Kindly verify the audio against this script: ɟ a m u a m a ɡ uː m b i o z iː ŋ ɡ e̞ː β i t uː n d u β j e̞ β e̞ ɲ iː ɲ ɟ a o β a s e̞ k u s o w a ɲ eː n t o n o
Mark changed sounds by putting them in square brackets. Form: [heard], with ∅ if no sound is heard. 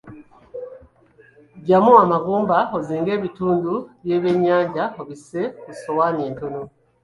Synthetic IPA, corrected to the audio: ɟ a m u a m a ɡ uː m b [a] o z iː ŋ ɡ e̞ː β i t uː n d u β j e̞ β e̞ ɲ [aː] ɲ ɟ a o β [i] s e̞ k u s o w a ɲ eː n t o n o

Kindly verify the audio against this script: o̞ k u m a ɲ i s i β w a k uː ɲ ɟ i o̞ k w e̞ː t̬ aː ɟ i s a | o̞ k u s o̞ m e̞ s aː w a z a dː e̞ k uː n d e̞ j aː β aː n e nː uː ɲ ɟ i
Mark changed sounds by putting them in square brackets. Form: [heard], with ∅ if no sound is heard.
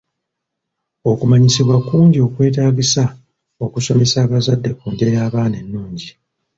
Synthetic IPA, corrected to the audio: o̞ k u m a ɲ i s i β w a k uː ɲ ɟ i o̞ k w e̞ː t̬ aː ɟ i s a | o̞ k u s o̞ m e̞ s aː [β] a z a dː e̞ k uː n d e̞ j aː β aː n e nː uː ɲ ɟ i

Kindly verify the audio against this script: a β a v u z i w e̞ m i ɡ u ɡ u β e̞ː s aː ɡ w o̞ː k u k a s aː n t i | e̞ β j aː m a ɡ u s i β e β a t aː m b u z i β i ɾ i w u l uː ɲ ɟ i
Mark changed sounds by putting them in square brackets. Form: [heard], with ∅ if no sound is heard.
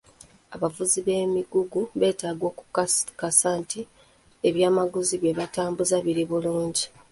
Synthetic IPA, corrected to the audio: a β a v u z i [β] e̞ m i ɡ u ɡ u β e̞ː [t] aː ɡ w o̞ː k u k a s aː n t i | e̞ β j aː m a ɡ u [z] i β e β a t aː m b u z [a] β i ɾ i [β] u l uː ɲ ɟ i

